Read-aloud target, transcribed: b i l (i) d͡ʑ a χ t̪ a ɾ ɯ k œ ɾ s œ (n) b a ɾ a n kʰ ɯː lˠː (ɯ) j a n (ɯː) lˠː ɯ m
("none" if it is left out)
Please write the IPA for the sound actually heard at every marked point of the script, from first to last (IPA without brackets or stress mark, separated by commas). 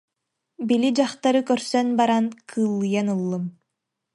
i, n, ɯ, ɯ